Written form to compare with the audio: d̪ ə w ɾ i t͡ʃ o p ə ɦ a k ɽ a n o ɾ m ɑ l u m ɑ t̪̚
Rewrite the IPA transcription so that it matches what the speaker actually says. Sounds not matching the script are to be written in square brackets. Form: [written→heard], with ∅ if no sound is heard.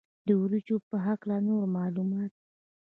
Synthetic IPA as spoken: d̪ ə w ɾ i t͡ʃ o p ə ɦ a k [ɽ→l] a n o ɾ m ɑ l u m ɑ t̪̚